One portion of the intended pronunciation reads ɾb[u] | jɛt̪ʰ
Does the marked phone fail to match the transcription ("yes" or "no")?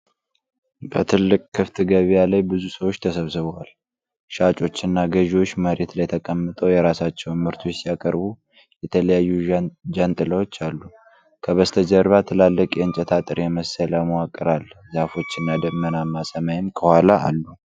no